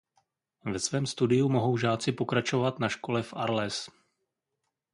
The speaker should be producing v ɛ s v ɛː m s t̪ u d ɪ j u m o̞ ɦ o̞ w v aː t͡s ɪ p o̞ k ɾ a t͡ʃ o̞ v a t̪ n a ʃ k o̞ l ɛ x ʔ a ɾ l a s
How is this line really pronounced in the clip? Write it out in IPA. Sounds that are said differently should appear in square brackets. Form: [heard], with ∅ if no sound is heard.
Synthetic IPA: v ɛ s v ɛː m s t̪ u d ɪ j u m o̞ ɦ o̞ w [ʒ] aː t͡s ɪ p o̞ k ɾ a t͡ʃ o̞ v a t̪ n a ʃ k o̞ l ɛ [f] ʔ a ɾ l [ɛ] s